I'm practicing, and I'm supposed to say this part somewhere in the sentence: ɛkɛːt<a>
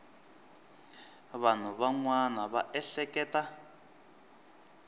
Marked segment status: correct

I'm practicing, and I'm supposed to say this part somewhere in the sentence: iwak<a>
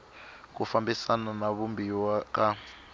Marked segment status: correct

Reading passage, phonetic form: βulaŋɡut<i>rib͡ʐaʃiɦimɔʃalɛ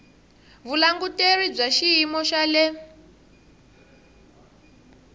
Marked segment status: incorrect: e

